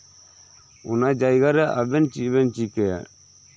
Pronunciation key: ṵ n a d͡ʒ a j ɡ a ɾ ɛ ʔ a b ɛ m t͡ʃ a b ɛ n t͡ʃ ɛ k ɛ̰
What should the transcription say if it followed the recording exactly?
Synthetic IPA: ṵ n a d͡ʒ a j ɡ a ɾ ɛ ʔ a b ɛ n t͡ʃ i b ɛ n t͡ʃ i k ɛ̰

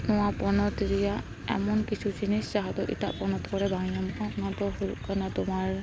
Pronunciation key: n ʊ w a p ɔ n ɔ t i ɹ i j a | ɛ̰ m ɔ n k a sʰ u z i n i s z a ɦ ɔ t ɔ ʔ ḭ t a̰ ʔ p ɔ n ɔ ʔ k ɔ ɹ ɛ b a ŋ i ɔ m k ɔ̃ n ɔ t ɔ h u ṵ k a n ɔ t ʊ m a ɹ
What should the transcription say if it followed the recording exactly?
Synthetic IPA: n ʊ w a p ɔ n ɔ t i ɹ i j a | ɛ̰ m ɔ n k i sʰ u z i n i s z a ɦ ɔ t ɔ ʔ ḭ t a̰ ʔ p ɔ n ɔ t k ɔ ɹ ɛ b a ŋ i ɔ m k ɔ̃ n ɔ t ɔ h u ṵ k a n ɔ t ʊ m a ɹ

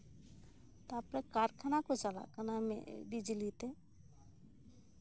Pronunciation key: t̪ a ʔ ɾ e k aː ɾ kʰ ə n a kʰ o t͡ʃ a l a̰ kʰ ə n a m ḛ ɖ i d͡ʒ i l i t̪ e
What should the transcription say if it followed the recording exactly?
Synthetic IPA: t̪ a p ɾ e k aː ɾ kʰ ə n a k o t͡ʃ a l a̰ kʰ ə n a m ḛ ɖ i d͡ʒ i l i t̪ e

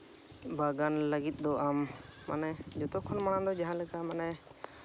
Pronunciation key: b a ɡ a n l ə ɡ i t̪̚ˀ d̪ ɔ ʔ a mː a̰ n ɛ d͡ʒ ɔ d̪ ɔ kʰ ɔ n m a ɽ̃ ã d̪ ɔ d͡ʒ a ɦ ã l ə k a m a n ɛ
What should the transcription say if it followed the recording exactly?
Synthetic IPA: b a ɡ a n l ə ɡ i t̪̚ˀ d̪ ɔ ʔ a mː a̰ n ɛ d͡ʒ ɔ t̪ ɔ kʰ ɔ n m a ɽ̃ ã d̪ ɔ d͡ʒ a ɦ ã l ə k a m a n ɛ

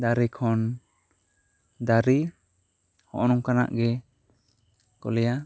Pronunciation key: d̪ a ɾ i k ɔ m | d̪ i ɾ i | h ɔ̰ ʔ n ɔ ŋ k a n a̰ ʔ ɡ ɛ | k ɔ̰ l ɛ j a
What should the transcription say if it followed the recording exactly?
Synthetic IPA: d̪ a ɾ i kʰ ɔ n | d̪ a ɾ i | h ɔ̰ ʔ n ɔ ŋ k a n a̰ ʔ ɡ ɛ | k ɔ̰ l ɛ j a

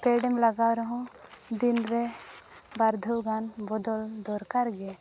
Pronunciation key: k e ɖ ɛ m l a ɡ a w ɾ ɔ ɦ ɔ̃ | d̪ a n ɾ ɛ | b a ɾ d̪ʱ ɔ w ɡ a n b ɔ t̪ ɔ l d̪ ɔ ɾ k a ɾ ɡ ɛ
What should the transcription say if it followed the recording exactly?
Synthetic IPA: k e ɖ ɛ m l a ɡ a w ɾ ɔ ɦ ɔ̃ | d̪ i n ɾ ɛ | b a ɾ d̪ʱ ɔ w ɡ a n b ɔ d̪ ɔ l d̪ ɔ ɾ k a ɾ ɡ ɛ

